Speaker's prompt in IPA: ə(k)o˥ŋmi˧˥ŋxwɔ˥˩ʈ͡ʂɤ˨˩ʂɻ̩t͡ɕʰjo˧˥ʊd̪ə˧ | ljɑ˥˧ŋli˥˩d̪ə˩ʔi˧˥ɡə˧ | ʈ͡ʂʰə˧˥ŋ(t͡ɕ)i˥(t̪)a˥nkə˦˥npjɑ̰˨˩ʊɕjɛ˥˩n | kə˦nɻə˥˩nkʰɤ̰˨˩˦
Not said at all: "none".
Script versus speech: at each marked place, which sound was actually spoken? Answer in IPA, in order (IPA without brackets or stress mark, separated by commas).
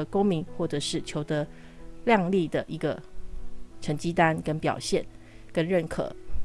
k, t͡ɕ, t̪